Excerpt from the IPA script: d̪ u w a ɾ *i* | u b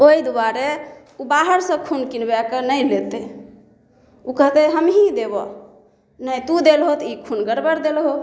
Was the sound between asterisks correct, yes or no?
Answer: no